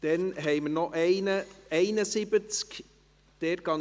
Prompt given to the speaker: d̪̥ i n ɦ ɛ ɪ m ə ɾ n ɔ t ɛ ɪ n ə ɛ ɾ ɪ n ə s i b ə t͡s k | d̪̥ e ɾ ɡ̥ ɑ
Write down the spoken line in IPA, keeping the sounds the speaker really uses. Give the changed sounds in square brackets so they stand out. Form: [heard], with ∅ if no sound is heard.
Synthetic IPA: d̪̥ [ɛ] n ɦ ɛ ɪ m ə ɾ n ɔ [ʔ] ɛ ɪ n ə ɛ [∅] ɪ n ə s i b ə t͡s k | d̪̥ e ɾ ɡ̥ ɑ